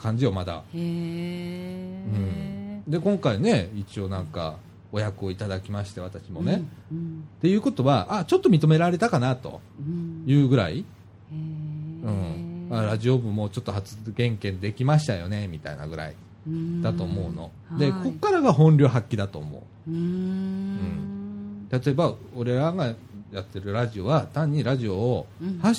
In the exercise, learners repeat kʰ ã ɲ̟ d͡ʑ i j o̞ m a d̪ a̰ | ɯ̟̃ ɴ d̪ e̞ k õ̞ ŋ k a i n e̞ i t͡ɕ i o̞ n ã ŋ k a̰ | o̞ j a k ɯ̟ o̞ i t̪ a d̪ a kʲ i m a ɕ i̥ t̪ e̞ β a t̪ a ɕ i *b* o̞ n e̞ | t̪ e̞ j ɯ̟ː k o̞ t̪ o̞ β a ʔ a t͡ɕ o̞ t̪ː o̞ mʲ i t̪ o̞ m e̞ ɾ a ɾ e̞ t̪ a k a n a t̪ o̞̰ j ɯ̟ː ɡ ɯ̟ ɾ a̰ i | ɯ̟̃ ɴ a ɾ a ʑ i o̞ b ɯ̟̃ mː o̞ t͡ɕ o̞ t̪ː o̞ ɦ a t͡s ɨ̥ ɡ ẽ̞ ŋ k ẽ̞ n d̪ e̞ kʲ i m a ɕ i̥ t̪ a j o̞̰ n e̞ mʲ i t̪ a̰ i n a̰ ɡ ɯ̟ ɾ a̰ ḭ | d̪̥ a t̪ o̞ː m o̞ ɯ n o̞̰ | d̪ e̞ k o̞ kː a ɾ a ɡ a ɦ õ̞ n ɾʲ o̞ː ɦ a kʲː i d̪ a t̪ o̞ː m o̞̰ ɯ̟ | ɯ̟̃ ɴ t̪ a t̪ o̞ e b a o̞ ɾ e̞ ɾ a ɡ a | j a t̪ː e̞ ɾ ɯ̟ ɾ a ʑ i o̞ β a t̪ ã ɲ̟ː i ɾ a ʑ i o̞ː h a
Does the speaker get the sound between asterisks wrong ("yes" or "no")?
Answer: yes